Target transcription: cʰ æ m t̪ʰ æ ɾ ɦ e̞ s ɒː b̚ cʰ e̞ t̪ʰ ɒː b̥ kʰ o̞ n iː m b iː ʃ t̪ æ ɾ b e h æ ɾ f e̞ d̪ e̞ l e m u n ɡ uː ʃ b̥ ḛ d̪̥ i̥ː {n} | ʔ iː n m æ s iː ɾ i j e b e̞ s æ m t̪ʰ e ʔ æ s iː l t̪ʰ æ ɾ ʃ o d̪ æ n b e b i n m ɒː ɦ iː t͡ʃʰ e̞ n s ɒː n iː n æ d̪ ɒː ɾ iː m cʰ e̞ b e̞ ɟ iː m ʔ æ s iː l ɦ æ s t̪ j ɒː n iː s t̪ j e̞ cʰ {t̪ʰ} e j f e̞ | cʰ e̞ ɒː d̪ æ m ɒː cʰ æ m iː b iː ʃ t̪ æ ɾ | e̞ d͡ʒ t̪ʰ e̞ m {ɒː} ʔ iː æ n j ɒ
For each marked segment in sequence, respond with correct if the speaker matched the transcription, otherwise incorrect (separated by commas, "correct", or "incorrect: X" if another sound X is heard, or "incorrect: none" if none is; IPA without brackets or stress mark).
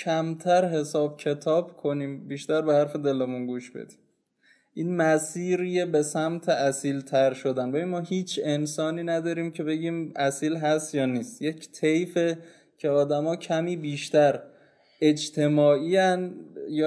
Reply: incorrect: m, correct, correct